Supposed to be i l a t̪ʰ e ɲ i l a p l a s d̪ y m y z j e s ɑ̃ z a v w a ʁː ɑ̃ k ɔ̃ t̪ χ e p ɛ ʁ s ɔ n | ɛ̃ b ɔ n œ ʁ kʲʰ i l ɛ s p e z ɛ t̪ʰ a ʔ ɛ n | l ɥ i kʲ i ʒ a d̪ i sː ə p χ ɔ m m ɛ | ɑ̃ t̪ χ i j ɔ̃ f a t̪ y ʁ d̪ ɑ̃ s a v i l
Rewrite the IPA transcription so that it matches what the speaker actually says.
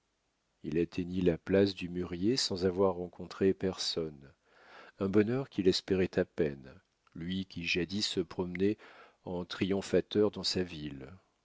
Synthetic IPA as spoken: i l a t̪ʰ e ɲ i l a p l a s d̪ y m y ʁ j e s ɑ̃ z a v w a ʁː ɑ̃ k ɔ̃ t̪ χ e p ɛ ʁ s ɔ n | ɛ̃ b ɔ n œ ʁ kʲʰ i l ɛ s p e ʁ ɛ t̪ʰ a p ɛ n | l ɥ i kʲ i ʒ a d̪ i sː ə p χ ɔ m n ɛ | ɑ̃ t̪ χ i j ɔ̃ f a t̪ œ ʁ d̪ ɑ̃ s a v i l